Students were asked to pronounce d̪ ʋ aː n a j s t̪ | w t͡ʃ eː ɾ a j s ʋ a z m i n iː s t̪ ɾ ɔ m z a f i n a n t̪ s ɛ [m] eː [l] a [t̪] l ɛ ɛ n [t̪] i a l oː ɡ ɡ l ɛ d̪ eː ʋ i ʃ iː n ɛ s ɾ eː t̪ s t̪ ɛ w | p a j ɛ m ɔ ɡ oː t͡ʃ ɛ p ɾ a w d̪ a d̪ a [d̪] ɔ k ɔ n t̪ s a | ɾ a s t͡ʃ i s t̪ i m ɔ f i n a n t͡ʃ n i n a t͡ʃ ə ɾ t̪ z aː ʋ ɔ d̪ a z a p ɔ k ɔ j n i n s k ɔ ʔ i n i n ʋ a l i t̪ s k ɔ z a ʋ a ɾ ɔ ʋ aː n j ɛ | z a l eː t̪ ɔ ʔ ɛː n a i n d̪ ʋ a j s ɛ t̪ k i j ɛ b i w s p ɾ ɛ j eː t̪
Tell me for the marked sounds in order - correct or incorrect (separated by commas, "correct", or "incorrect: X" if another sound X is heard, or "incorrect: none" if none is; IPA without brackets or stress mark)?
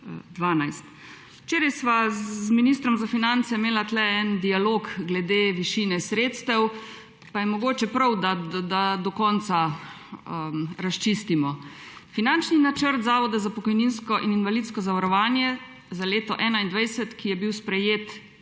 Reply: correct, correct, correct, incorrect: d̪, correct